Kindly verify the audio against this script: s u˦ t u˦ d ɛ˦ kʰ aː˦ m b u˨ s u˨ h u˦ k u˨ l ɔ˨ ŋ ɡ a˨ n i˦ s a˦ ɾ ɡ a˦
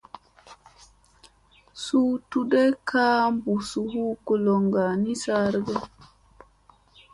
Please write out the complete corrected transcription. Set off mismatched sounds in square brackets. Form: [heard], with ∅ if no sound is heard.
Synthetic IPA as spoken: s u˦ t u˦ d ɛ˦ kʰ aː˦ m b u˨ s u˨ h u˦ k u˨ l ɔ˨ ŋ ɡ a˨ n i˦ s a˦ ɾ ɡ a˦